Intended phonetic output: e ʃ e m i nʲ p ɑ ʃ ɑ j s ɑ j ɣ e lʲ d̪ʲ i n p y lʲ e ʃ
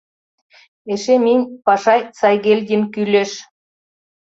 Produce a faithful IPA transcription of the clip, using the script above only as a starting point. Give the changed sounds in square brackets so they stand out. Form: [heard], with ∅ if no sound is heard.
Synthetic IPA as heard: e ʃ e m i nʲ p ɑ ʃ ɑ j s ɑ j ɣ e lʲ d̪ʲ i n [k] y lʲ e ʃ